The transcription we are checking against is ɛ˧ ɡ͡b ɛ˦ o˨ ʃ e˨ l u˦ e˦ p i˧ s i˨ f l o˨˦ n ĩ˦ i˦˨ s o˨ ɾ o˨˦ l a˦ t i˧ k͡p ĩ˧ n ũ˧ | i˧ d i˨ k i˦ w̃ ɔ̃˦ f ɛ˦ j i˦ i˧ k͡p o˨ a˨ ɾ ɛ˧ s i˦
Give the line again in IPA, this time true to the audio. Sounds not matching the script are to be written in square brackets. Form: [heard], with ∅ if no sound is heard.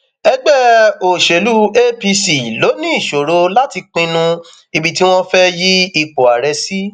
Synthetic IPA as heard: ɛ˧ ɡ͡b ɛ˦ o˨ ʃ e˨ l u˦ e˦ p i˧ s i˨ [∅] l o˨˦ n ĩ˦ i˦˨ [ʃ] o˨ ɾ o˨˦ l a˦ t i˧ k͡p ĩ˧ n ũ˧ | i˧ [b] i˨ [t] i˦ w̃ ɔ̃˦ f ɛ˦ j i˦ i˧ k͡p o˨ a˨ ɾ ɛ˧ s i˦